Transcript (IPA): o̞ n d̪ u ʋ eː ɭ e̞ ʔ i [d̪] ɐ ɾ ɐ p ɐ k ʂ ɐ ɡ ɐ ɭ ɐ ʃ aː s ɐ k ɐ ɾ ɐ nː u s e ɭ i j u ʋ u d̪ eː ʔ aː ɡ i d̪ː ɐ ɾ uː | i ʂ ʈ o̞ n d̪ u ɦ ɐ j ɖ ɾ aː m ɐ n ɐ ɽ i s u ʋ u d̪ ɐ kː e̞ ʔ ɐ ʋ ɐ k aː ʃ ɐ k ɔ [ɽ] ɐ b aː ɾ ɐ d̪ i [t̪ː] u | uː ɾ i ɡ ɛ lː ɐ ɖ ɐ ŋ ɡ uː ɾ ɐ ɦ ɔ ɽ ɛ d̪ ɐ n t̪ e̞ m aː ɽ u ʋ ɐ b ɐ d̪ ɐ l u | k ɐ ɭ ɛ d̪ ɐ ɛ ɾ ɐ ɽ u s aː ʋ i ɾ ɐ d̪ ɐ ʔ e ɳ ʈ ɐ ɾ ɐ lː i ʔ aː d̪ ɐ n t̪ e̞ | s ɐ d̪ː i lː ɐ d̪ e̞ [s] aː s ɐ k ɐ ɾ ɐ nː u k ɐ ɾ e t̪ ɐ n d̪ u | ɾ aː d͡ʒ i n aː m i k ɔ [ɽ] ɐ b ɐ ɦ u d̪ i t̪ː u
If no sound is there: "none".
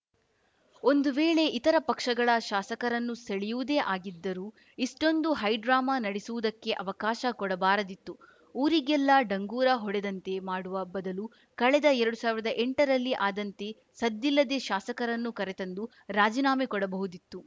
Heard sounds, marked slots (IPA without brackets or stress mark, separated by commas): t̪, ɽ, t̪ː, ʃ, ɽ